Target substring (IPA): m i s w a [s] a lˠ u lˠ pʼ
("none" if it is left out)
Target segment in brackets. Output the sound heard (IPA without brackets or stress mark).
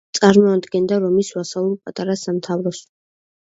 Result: s